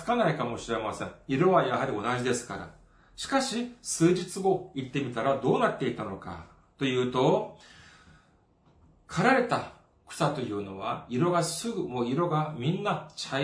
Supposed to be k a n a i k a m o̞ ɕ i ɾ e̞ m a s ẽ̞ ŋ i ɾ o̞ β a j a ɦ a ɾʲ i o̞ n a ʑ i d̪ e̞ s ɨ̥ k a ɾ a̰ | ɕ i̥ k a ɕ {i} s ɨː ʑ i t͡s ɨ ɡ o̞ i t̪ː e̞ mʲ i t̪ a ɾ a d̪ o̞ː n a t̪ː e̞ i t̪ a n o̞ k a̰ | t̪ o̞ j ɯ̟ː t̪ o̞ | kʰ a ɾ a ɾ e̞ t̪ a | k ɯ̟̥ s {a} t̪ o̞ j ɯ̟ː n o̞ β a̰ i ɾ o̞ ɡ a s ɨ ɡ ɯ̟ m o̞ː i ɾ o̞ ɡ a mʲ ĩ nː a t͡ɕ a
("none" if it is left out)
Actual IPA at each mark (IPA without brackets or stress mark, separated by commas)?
i, a